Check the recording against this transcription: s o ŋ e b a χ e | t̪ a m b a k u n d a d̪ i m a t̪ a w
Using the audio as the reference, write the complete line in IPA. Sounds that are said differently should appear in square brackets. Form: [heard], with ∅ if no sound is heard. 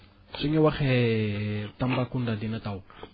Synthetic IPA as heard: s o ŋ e [w] a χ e | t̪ a m b a k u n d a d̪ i [n] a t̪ a w